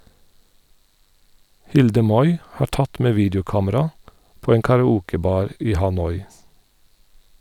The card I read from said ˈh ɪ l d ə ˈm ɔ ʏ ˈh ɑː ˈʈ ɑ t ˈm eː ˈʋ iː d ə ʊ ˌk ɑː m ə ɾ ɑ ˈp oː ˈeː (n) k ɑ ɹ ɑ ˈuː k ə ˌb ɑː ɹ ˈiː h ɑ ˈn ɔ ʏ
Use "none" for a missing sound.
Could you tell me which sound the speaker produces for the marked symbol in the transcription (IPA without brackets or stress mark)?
ŋ